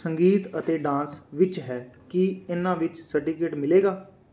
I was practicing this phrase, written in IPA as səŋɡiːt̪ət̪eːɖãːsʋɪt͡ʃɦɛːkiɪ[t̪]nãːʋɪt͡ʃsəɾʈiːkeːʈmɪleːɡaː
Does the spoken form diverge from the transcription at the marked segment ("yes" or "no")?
yes